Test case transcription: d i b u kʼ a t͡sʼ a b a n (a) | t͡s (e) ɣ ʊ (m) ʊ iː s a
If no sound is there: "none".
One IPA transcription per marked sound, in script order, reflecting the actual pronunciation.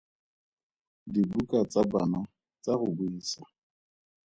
a, a, b

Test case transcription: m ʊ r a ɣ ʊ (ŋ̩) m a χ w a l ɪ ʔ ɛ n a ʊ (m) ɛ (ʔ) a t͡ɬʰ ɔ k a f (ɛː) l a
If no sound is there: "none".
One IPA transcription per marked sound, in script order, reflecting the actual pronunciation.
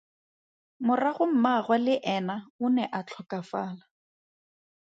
m̩, n, ʔ, aː

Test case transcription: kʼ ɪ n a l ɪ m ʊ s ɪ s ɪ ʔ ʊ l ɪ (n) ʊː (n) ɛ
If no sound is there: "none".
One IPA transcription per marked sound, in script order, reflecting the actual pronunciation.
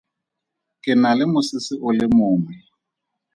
m, m

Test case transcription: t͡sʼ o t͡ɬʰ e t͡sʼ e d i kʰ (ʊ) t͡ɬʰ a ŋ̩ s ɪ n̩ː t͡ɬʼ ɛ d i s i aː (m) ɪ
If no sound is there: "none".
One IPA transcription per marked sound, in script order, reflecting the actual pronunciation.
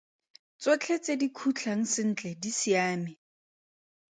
u, m

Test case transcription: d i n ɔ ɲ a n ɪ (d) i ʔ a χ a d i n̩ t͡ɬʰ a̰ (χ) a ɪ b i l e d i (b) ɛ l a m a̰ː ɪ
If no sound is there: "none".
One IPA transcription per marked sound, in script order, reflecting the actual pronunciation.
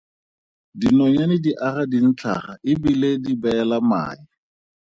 d, χ, b

